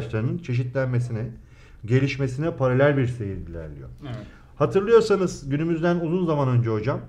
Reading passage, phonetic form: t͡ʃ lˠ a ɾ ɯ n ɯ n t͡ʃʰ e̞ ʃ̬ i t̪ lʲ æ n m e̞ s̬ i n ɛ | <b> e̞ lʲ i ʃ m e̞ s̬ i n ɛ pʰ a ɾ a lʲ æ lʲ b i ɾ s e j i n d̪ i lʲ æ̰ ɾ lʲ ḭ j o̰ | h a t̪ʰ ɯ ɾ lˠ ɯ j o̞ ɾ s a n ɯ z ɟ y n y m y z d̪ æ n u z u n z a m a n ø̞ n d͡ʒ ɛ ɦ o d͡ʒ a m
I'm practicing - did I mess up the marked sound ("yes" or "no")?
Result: yes